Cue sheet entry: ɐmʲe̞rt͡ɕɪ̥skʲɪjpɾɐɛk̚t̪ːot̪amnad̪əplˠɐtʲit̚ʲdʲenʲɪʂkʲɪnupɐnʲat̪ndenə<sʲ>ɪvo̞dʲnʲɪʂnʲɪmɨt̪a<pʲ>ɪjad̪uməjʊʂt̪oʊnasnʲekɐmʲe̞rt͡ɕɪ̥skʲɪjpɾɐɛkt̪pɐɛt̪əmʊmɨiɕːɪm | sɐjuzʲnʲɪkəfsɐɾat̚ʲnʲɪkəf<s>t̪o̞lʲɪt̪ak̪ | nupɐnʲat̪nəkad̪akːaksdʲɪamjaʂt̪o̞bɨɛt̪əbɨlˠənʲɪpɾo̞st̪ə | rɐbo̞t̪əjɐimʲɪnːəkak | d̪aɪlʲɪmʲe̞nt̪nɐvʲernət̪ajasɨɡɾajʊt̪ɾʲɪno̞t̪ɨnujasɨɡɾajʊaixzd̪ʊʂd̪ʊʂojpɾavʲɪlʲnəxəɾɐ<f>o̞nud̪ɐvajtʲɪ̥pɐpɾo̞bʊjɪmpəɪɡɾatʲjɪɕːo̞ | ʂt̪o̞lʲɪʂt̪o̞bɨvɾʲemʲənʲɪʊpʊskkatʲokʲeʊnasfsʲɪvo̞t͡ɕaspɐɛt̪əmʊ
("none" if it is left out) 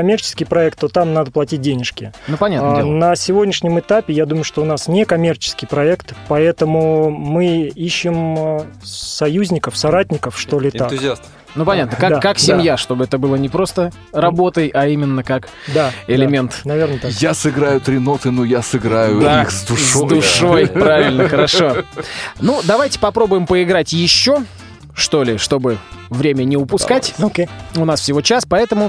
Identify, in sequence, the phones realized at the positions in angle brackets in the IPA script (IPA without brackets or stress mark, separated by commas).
sʲ, pʲ, ʂ, ʂ